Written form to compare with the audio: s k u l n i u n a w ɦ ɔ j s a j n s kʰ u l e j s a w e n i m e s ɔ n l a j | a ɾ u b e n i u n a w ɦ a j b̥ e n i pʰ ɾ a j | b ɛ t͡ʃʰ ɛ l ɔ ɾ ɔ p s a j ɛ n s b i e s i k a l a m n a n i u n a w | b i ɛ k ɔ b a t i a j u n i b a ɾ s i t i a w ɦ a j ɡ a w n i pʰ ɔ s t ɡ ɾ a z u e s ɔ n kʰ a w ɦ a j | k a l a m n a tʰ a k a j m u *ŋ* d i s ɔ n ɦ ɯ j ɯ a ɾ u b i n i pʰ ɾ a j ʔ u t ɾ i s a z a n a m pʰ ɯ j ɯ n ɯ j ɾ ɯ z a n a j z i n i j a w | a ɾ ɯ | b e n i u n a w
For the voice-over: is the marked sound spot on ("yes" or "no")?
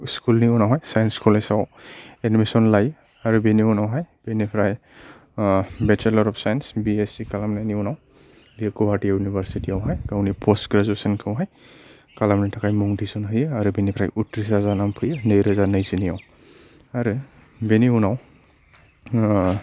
yes